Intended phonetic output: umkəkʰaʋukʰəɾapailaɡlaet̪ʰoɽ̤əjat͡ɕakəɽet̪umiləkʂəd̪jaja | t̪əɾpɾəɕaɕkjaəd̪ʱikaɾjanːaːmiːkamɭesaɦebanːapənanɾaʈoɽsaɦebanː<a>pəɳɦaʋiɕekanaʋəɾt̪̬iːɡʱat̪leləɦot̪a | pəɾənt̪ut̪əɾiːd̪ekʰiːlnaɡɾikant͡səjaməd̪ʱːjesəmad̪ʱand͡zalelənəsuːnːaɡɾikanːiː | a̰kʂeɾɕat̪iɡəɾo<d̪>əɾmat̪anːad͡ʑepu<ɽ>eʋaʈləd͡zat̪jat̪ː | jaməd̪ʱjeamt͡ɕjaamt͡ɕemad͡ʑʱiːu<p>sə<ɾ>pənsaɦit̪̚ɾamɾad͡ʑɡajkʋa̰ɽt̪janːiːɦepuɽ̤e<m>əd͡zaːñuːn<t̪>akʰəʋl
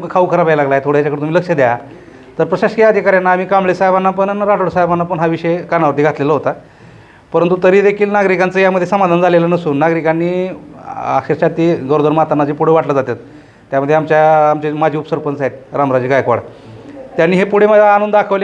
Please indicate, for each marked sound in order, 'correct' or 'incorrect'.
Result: correct, correct, correct, correct, correct, correct, incorrect

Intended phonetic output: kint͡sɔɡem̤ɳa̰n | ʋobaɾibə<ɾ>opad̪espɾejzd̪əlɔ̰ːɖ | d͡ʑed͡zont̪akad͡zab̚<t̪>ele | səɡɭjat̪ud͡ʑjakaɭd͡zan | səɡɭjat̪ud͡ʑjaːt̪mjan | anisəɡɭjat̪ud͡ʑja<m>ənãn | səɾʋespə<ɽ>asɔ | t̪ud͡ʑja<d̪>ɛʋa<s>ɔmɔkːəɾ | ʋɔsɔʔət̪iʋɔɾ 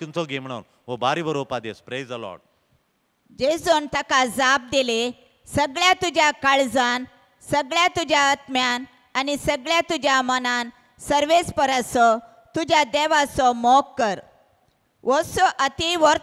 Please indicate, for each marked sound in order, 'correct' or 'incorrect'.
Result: correct, incorrect, correct, incorrect, correct, correct

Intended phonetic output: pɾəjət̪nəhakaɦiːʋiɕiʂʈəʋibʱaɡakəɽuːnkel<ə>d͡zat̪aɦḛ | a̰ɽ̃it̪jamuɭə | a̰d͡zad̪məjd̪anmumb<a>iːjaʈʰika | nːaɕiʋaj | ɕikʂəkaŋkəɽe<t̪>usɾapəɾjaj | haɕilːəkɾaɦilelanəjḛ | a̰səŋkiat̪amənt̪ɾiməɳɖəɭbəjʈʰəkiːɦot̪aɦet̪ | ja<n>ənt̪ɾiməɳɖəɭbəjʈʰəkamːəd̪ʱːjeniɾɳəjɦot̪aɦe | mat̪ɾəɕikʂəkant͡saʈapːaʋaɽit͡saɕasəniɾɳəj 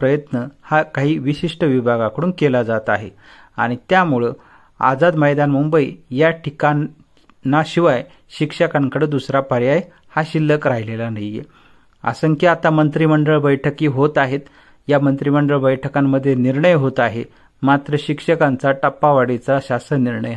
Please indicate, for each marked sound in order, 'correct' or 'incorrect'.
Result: incorrect, incorrect, incorrect, incorrect

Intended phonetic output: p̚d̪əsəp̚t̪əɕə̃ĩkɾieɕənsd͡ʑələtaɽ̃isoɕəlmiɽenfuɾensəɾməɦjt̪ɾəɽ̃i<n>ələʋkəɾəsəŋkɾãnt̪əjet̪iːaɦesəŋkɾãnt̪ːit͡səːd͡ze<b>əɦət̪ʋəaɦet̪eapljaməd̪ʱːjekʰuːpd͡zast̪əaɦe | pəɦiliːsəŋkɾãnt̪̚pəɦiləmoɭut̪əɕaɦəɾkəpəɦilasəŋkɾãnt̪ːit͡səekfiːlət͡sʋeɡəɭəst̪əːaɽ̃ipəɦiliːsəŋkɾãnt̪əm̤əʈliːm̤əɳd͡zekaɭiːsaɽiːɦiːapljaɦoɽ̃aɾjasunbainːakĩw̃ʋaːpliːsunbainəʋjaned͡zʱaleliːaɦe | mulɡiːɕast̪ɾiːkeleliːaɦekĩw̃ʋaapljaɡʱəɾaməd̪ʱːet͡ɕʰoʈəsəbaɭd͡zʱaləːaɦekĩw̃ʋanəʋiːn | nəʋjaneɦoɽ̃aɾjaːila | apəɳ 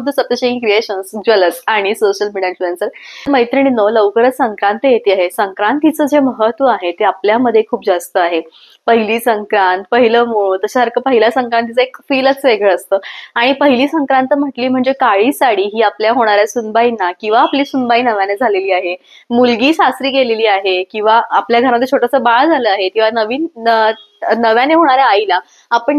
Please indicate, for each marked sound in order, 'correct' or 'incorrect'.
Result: correct, incorrect

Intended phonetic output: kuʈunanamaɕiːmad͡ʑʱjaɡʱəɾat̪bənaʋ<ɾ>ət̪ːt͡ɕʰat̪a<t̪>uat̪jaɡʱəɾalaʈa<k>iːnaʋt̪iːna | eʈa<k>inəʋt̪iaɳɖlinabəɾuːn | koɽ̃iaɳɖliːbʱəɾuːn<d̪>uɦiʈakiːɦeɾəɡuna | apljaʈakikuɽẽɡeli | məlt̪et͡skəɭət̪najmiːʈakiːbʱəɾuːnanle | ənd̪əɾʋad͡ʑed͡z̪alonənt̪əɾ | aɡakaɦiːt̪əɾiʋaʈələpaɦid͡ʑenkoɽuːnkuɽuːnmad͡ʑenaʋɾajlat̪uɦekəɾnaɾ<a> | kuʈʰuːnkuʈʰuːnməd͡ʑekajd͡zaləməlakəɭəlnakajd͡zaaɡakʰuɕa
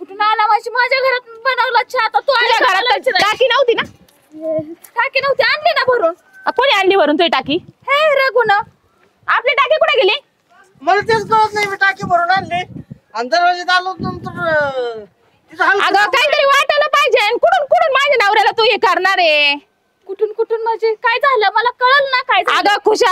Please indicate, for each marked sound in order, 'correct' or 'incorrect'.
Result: incorrect, correct, correct, correct, incorrect, incorrect

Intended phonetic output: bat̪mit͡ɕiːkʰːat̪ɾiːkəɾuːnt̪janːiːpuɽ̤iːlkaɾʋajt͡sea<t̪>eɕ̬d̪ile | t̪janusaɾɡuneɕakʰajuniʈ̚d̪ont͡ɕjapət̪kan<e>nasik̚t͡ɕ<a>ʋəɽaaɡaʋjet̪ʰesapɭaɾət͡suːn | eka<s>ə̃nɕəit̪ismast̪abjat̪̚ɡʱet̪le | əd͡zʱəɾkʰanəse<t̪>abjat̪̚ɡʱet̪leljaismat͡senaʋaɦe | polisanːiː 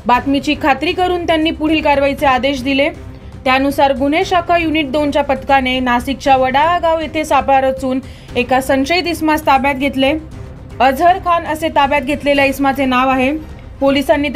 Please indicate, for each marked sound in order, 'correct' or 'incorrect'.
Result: incorrect, correct, correct, correct, correct

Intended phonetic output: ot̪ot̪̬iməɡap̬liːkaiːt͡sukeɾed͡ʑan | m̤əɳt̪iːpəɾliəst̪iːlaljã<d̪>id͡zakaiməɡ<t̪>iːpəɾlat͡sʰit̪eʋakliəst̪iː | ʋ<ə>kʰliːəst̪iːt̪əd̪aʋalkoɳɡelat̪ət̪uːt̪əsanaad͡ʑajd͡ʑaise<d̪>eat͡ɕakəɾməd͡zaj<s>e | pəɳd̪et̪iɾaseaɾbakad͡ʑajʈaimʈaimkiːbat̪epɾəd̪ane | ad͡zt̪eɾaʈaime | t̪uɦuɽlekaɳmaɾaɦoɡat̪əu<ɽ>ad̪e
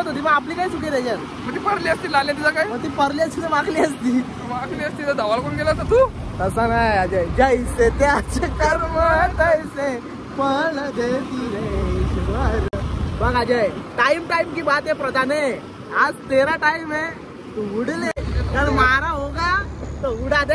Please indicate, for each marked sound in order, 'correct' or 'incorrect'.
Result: incorrect, correct, incorrect, incorrect, correct, correct

